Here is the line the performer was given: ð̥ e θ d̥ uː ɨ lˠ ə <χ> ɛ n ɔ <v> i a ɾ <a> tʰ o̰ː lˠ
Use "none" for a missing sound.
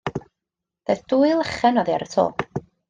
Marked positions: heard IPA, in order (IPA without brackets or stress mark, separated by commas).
χ, ð, ə